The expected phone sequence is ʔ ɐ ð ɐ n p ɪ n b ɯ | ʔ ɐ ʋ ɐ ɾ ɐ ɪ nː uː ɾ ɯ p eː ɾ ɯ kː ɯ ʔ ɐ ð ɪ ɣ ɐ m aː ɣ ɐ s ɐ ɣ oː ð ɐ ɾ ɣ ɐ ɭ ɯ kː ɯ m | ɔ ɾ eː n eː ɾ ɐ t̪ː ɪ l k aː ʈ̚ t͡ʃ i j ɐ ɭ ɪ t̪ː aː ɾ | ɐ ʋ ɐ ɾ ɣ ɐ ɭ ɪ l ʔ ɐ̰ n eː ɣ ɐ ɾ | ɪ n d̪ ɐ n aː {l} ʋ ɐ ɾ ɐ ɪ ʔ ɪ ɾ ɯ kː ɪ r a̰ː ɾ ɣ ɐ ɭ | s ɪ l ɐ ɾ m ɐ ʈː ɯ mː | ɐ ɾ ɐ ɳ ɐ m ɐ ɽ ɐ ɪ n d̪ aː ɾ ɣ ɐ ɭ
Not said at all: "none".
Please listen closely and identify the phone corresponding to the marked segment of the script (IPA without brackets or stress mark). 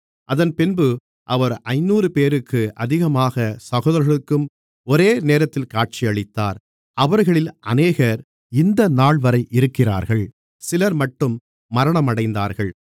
ɭ